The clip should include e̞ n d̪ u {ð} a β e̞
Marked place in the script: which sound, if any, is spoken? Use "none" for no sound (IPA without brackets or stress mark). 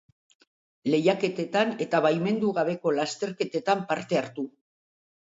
ɣ